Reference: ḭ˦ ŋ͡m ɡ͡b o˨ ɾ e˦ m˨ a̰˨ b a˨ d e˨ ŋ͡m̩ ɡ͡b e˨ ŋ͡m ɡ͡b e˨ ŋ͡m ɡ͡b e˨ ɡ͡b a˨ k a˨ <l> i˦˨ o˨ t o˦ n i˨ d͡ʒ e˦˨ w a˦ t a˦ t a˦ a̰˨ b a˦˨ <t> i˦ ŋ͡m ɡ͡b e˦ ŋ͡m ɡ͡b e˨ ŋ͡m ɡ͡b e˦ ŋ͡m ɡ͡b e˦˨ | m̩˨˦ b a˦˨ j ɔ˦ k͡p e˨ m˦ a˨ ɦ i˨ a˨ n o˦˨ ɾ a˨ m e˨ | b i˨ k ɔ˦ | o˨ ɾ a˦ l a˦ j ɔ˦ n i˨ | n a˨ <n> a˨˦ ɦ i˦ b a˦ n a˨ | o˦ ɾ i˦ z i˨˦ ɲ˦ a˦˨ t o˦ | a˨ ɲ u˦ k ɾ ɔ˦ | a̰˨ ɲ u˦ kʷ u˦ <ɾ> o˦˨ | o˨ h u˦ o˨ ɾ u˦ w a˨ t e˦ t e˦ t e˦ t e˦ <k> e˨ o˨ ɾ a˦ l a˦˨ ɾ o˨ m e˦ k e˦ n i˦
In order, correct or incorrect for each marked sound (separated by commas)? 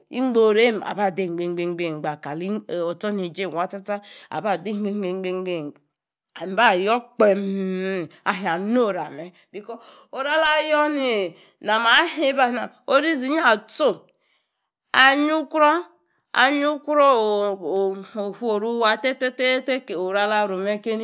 correct, incorrect, incorrect, correct, correct